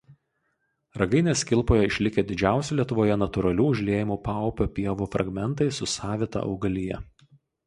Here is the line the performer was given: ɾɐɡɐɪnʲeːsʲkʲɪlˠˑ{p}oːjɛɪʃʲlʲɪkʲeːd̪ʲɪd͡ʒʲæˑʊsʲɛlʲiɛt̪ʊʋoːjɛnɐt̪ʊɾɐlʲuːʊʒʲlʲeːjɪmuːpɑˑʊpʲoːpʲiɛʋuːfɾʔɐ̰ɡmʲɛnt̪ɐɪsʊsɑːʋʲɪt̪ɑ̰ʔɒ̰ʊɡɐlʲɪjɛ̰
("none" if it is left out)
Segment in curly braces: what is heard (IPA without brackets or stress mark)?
p